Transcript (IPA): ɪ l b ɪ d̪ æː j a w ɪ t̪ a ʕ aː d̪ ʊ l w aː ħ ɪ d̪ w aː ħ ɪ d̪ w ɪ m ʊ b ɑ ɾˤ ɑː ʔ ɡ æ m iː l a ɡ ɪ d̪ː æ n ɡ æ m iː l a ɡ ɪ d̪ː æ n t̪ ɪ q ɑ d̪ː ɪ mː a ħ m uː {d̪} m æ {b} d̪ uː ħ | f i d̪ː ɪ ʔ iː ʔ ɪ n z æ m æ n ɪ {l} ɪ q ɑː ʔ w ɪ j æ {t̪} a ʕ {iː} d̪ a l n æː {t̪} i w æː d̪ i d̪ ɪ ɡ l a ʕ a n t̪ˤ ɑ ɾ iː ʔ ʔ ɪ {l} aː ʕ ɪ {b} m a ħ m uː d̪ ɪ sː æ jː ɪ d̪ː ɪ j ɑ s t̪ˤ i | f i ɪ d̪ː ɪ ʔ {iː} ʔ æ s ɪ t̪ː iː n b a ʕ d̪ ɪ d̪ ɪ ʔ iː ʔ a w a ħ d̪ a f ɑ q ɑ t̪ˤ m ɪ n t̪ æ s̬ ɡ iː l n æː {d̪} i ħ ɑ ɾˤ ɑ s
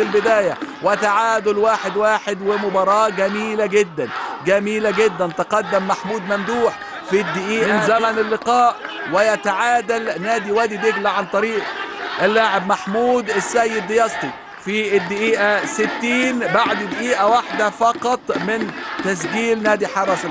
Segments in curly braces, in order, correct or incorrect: correct, incorrect: m, incorrect: lː, correct, incorrect: aː, incorrect: d̪, incorrect: lː, correct, correct, correct

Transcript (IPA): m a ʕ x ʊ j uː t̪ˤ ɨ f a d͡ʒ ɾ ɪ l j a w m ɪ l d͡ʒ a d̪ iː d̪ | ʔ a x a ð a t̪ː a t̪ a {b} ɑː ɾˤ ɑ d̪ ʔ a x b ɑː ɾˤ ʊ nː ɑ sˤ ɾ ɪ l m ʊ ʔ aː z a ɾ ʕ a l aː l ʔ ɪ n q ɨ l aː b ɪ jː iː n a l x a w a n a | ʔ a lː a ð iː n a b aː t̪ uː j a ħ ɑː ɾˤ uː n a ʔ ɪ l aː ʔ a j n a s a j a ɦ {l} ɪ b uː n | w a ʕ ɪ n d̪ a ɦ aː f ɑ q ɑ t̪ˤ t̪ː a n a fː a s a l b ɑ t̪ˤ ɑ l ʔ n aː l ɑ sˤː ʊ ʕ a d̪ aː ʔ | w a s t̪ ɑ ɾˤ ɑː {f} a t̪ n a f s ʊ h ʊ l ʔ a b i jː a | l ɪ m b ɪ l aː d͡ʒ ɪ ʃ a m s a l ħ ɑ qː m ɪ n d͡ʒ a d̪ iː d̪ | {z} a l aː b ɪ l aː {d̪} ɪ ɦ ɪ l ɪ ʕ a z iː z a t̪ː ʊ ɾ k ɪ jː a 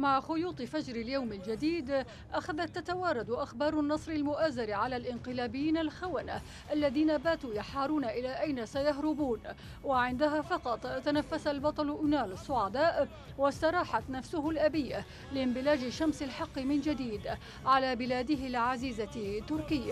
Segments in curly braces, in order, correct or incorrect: incorrect: w, incorrect: ɾ, incorrect: ħ, incorrect: ʕ, correct

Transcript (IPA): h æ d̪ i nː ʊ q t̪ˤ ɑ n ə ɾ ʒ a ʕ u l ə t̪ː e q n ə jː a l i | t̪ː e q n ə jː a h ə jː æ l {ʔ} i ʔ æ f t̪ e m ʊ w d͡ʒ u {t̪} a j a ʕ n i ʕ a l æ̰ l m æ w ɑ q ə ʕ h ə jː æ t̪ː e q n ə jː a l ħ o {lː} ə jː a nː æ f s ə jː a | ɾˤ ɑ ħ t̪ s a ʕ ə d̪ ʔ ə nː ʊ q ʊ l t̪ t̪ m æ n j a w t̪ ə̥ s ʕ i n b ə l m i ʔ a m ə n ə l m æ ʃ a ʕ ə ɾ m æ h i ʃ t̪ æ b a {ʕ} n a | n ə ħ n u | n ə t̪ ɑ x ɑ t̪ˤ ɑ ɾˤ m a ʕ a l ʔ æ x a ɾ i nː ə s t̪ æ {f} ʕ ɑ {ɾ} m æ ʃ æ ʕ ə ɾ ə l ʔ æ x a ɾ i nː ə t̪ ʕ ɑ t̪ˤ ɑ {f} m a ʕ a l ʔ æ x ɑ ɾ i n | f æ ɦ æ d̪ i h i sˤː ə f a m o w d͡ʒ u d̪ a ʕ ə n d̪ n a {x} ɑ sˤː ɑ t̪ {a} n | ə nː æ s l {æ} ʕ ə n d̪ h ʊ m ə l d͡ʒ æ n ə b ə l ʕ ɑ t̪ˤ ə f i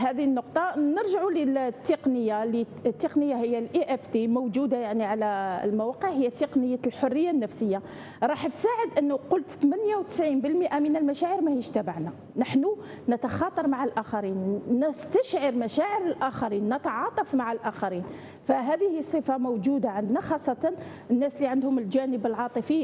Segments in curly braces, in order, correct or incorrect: correct, incorrect: d̪, incorrect: rː, correct, incorrect: ʃ, correct, correct, correct, incorrect: ɑ, incorrect: i

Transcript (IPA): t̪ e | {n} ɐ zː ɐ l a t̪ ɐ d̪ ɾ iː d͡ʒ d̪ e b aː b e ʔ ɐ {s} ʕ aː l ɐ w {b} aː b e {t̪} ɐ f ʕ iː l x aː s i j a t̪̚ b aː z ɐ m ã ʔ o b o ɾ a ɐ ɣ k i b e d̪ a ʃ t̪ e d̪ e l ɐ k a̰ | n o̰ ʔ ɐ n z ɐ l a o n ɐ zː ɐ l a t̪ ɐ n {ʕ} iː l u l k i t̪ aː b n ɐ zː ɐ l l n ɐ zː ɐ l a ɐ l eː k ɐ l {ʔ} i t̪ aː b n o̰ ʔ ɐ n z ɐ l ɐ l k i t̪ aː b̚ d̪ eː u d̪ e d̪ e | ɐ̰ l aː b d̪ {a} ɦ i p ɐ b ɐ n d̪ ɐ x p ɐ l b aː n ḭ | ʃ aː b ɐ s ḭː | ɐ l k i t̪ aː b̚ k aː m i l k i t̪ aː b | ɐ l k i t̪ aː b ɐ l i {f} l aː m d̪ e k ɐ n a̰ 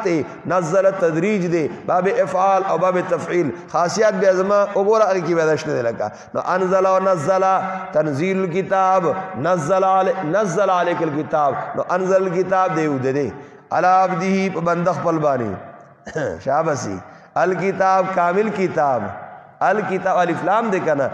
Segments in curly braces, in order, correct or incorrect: correct, incorrect: f, correct, correct, incorrect: z, incorrect: k, incorrect: i, correct

